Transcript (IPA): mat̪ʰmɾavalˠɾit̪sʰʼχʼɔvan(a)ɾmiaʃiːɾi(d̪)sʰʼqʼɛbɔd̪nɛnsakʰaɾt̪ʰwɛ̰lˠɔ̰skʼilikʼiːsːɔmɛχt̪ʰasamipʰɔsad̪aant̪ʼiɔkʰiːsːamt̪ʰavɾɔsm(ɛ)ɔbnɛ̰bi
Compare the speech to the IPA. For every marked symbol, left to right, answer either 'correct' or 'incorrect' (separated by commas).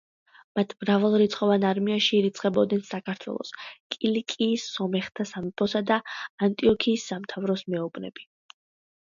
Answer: correct, incorrect, correct